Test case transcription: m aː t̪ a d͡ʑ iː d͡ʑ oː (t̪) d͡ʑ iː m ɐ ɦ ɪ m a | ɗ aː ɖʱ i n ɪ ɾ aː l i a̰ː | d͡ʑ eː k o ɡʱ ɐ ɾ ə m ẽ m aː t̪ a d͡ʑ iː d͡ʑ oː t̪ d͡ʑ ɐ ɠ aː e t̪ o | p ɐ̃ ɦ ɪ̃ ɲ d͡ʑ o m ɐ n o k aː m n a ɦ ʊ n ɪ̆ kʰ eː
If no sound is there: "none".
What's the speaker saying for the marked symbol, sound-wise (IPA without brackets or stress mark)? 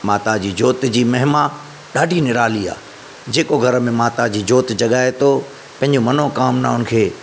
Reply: t̪